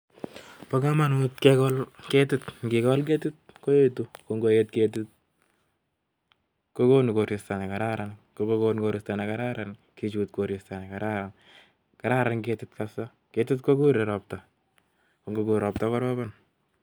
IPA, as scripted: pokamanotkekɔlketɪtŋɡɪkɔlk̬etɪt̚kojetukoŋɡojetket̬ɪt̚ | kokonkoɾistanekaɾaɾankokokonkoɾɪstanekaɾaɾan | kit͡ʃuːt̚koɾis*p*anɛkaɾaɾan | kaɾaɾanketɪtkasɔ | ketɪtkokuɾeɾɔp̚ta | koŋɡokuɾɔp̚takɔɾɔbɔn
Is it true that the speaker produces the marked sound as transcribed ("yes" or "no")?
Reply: no